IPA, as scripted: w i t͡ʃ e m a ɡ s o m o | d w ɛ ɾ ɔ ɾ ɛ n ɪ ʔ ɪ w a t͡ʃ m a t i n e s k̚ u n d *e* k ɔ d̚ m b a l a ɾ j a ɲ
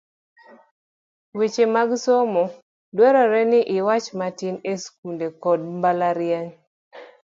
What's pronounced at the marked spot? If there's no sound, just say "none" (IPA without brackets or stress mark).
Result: e